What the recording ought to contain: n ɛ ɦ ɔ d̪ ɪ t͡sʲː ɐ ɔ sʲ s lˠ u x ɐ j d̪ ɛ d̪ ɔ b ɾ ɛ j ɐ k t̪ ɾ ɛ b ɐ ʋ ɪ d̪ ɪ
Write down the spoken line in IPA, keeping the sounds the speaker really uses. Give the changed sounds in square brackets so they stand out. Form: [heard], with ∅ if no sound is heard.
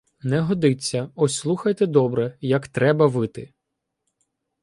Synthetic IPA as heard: n ɛ ɦ ɔ d̪ ɪ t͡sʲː ɐ ɔ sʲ s lˠ u x ɐ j [t̪] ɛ d̪ ɔ b ɾ ɛ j ɐ k t̪ ɾ ɛ b ɐ ʋ ɪ [t̪] ɪ